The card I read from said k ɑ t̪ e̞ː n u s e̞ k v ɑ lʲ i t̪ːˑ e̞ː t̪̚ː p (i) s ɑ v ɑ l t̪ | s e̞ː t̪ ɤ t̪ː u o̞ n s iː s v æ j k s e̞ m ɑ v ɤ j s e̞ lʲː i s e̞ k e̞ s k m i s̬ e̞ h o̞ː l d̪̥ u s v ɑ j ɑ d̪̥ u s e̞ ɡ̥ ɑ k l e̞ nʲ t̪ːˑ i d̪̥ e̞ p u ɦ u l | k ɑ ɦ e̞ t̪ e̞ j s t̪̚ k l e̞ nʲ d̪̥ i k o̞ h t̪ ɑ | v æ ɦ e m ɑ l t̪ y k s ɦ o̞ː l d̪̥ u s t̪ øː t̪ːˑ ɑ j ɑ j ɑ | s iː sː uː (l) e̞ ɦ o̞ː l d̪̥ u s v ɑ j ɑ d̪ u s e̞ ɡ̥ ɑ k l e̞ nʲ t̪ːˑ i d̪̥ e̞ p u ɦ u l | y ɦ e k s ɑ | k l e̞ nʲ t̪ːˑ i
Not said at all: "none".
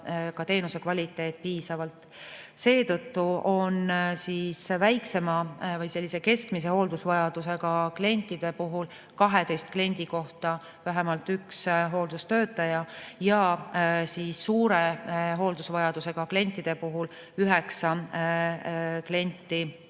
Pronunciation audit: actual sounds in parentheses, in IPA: iː, ɾ

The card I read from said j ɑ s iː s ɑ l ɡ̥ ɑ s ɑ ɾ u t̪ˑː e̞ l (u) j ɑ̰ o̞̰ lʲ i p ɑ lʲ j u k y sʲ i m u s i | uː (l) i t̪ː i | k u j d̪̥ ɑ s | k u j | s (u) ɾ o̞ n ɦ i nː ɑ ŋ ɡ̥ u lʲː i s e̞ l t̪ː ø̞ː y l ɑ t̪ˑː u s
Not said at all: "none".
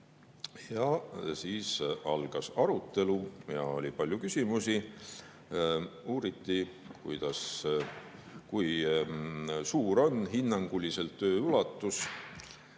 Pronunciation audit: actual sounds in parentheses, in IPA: u, ɾ, uː

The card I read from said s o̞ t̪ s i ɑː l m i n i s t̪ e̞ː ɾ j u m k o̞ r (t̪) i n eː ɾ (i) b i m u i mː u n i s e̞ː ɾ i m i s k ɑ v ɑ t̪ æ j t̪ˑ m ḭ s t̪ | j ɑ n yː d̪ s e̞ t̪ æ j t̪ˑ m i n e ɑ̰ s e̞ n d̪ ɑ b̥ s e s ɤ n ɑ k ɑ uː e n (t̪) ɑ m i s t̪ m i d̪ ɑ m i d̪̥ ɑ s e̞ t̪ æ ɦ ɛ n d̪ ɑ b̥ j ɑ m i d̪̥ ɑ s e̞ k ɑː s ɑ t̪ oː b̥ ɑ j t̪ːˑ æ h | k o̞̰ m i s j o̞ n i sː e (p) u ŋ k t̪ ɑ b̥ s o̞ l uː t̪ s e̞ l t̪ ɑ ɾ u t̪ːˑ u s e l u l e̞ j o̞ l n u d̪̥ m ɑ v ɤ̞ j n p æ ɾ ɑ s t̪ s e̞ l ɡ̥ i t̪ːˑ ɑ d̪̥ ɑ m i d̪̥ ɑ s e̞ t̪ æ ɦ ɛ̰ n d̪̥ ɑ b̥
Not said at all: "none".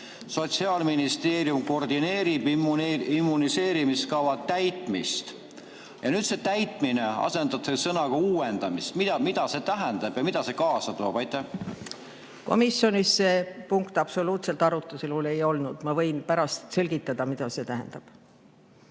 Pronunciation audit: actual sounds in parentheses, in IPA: d̪, i, d̪, p

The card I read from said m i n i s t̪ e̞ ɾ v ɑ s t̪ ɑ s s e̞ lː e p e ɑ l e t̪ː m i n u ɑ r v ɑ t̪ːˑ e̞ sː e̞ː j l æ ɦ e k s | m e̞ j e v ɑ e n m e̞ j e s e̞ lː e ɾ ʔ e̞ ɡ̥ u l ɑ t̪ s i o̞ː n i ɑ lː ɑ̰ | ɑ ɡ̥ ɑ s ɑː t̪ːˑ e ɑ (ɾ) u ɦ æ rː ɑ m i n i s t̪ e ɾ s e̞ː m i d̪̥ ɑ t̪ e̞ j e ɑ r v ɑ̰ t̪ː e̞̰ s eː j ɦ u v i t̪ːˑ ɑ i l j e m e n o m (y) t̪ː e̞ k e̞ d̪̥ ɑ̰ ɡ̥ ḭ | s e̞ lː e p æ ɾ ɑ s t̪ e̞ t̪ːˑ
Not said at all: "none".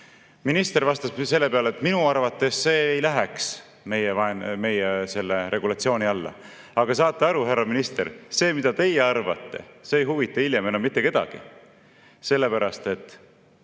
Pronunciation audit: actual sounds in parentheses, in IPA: ɾ, i

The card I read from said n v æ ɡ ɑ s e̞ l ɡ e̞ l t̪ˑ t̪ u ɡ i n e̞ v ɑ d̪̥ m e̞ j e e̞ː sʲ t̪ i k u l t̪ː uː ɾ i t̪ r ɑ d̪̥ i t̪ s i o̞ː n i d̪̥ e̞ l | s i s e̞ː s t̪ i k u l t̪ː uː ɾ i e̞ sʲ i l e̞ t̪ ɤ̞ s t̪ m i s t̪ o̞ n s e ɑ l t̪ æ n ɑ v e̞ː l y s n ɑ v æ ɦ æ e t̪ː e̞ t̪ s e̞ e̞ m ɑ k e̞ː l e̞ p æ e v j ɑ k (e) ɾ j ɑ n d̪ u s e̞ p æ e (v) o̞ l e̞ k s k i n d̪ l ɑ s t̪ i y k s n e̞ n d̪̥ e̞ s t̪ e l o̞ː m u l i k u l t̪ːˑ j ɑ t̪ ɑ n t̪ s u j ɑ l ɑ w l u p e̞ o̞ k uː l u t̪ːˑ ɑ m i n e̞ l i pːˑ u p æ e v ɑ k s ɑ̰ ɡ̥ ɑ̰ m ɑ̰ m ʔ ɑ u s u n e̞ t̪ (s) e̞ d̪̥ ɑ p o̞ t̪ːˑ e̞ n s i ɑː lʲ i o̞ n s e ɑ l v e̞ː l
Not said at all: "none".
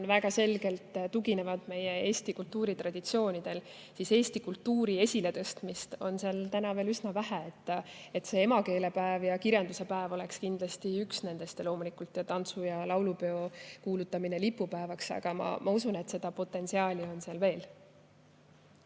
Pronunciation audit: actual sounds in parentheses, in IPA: i, v, s

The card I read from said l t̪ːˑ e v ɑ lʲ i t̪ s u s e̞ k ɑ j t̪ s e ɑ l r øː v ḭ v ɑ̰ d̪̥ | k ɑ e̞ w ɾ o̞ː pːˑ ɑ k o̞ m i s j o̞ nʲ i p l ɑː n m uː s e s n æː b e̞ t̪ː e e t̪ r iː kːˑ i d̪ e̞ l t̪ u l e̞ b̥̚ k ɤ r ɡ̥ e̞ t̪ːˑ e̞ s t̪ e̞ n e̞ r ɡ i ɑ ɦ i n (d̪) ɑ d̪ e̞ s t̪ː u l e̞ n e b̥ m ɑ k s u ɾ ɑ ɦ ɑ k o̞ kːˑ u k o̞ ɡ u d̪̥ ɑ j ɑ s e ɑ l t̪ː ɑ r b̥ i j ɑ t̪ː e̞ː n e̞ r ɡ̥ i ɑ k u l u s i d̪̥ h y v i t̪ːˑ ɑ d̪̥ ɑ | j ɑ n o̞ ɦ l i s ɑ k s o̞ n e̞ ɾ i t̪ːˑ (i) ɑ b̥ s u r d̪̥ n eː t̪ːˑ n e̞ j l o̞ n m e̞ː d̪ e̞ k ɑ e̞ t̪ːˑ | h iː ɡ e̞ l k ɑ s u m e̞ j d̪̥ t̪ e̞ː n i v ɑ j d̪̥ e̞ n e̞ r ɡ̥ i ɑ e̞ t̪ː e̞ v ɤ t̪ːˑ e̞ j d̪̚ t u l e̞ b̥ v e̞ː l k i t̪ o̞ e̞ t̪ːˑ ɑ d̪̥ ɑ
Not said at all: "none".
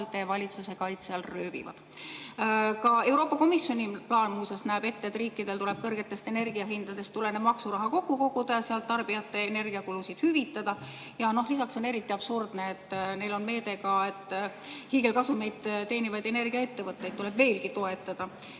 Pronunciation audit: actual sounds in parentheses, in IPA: d̪, i

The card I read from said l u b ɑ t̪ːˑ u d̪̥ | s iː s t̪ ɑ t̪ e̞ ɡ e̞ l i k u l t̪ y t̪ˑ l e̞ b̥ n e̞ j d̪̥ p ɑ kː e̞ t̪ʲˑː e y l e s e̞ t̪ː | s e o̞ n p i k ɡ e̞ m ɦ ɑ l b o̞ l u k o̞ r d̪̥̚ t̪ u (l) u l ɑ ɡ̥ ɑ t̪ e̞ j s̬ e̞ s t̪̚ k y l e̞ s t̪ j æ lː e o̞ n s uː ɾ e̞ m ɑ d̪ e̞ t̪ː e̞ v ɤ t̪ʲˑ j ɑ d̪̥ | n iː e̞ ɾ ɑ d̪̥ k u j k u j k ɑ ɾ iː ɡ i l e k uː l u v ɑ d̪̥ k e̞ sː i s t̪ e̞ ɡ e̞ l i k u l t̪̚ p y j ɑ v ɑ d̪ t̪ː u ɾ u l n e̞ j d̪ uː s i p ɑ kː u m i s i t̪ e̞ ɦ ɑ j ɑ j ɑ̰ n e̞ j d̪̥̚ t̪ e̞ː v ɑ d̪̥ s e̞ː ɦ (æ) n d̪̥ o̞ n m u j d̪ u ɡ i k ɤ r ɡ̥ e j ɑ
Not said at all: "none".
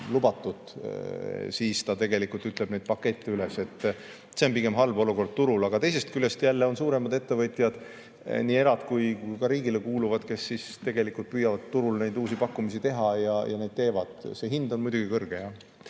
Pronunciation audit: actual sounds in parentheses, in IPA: ɾ, i

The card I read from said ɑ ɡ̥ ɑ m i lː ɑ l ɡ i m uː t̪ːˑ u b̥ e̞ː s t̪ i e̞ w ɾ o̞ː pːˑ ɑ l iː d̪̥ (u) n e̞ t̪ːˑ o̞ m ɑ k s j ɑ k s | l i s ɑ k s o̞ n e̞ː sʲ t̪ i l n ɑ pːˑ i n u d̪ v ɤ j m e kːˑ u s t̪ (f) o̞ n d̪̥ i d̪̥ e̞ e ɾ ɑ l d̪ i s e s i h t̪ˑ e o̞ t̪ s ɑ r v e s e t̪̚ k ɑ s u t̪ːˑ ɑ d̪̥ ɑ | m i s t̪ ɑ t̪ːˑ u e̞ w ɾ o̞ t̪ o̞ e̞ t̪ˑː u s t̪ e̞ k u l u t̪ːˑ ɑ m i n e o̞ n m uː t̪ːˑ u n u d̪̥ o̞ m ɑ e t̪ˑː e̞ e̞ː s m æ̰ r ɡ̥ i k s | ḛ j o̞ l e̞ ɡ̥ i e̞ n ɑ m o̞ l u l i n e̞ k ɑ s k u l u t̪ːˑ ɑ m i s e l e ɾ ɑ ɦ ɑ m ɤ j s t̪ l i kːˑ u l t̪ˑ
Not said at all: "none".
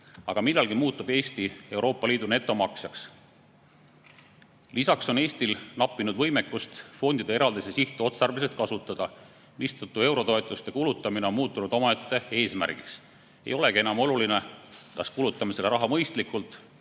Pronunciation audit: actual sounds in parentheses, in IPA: u, f

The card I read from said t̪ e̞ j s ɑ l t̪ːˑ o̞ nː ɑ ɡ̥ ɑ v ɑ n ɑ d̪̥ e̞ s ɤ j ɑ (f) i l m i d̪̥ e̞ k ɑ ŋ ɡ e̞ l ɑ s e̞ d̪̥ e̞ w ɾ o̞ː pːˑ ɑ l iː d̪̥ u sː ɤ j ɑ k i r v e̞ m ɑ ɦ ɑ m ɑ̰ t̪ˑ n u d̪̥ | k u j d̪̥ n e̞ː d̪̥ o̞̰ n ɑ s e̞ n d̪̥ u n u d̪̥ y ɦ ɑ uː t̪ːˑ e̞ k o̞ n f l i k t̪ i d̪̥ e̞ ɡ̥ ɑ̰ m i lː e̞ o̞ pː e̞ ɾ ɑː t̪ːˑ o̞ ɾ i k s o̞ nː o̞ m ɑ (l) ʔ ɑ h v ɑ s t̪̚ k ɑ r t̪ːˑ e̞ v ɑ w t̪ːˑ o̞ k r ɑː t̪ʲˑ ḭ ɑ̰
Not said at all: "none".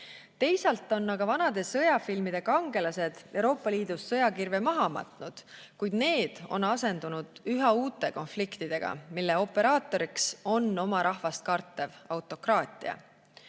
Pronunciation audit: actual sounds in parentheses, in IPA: f, ɾ

